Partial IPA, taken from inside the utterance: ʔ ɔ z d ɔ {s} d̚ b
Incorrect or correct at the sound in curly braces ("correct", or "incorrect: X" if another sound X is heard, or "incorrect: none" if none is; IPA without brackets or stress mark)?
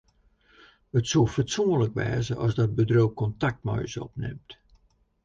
incorrect: none